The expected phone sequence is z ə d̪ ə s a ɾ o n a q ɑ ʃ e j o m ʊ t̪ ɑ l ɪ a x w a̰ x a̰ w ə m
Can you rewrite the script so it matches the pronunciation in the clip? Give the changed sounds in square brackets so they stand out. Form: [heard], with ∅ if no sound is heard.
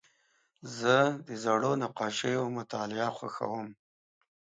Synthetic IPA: z ə d̪ ə [z] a [ɽ] o n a q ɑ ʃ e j o m ʊ t̪ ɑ l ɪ a x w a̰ x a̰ w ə m

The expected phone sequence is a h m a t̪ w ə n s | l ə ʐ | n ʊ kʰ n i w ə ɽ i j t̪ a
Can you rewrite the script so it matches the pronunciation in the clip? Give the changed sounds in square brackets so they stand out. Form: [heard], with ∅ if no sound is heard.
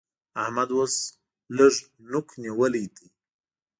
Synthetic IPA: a h m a [d̪] w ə [∅] s | l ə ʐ | n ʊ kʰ n i w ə [l] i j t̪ [i]

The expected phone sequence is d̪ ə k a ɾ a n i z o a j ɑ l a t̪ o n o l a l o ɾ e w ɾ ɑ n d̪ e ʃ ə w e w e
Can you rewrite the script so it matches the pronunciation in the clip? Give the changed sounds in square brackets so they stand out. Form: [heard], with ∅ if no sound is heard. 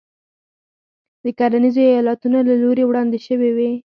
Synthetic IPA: d̪ ə k a ɾ a n i z o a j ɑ l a t̪ [u] n o l a l o ɾ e w [ɽ] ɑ n d̪ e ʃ ə w e w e

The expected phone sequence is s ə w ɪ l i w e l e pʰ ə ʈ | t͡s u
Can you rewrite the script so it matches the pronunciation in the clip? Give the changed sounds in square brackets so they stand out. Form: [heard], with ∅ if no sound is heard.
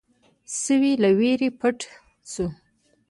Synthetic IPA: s ə w [i] l [a] w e [ɾ] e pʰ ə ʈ | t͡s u

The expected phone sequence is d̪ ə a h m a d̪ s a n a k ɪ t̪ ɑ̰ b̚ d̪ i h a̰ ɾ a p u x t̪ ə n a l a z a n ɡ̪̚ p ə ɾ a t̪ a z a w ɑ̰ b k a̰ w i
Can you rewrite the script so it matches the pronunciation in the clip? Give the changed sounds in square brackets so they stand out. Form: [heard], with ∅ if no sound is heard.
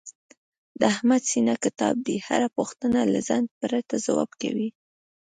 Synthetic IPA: d̪ ə a h m a d̪ s [i] n a k ɪ t̪ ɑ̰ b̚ d̪ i h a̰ ɾ a p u x t̪ ə n a l a z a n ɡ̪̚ p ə ɾ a t̪ a z a w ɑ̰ b k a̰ w i

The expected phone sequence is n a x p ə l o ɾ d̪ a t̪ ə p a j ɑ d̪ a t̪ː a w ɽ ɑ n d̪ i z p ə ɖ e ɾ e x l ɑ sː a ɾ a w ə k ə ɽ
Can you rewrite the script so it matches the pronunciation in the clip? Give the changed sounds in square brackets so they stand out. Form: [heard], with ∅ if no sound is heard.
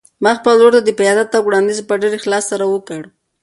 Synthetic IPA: [m] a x p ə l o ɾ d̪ a [d̪] ə p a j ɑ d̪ a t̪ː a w ɽ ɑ n d̪ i z p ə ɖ e ɾ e x l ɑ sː a ɾ a w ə k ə ɽ

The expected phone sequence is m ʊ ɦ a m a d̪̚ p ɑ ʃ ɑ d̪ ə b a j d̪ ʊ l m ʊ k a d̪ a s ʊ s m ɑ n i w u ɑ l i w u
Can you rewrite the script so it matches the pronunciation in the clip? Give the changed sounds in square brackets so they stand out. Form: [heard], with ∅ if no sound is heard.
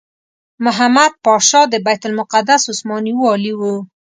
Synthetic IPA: m ʊ ɦ a m a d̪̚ p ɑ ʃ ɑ d̪ ə b a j [t̪] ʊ l m ʊ [q] a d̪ a s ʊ s m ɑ n i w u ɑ l i w u

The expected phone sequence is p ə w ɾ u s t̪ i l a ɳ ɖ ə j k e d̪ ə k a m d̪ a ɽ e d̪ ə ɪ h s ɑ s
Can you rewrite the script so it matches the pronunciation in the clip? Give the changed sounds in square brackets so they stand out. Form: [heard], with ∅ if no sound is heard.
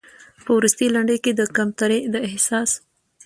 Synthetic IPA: p ə w ɾ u s t̪ i l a ɳ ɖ ə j k e d̪ ə k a m [t̪] a [ɾ] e d̪ ə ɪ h s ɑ s

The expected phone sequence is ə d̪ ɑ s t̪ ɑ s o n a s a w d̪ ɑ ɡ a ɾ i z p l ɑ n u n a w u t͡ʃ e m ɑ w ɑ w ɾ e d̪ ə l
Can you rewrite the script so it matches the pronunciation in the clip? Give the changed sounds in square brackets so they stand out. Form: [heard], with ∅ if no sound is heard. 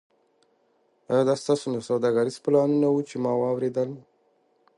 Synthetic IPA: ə d̪ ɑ s t̪ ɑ s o n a s a w d̪ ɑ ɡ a ɾ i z p l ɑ n u n a w u t͡ʃ e m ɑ w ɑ w ɾ e d̪ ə l

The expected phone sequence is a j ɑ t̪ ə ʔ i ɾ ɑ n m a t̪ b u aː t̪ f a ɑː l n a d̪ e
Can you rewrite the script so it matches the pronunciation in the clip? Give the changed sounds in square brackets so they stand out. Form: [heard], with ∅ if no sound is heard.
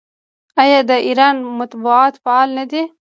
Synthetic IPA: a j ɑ [d̪] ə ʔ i ɾ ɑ n m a t̪ b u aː t̪ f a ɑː l n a d̪ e

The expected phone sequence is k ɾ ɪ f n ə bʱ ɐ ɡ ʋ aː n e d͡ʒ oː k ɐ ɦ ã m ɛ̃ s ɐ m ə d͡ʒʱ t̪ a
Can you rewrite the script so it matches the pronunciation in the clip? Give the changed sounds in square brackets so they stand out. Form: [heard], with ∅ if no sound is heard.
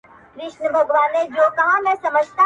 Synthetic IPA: k ɾ ɪ [ʃ] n ə bʱ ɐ ɡ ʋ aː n e d͡ʒ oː k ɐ ɦ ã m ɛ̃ s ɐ m ə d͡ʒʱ t̪ a

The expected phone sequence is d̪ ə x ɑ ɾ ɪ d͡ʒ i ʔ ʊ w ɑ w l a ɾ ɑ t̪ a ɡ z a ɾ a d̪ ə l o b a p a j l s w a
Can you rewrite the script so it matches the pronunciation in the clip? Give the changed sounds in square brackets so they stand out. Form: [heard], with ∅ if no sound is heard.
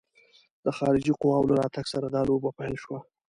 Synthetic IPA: d̪ ə x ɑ ɾ ɪ d͡ʒ i [q] ʊ w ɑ w l a ɾ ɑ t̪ a ɡ [s] a ɾ a d̪ [ɑ] l o b a p a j l [ʃ] w a

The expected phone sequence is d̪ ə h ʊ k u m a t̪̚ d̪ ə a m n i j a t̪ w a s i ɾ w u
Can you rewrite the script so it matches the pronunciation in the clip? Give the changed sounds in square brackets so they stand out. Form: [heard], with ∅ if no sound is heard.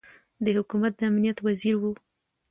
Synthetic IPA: d̪ ə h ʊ k u m a t̪̚ d̪ ə a m n i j a t̪ w a [z] i ɾ w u

